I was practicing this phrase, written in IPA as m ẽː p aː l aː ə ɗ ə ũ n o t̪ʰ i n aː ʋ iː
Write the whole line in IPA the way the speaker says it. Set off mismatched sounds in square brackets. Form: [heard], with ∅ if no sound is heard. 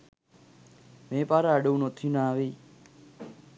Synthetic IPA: m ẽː p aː [ɾ] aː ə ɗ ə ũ n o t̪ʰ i n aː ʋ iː